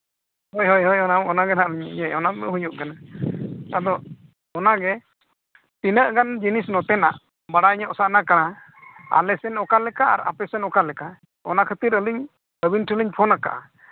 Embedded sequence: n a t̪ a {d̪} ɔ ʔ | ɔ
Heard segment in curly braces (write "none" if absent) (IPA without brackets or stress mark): d̪